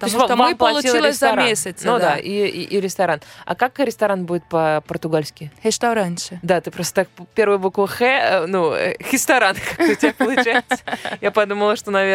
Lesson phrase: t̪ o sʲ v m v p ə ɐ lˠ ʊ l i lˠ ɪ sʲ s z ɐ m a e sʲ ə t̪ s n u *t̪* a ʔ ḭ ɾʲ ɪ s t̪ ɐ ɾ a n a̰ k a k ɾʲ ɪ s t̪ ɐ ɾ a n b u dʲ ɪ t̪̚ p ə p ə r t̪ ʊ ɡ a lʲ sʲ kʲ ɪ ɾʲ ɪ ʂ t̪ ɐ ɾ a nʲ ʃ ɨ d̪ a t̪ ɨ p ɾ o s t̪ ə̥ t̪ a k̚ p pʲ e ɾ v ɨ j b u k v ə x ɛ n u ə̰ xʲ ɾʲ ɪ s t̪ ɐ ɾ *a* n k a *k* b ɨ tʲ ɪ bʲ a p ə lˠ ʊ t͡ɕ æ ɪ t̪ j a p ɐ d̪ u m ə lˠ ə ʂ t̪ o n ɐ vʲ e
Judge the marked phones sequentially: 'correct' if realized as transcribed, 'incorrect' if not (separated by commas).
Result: incorrect, correct, correct